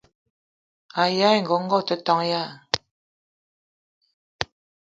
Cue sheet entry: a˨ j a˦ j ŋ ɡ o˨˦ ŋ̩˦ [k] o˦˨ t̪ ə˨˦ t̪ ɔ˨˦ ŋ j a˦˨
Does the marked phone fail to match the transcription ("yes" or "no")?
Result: yes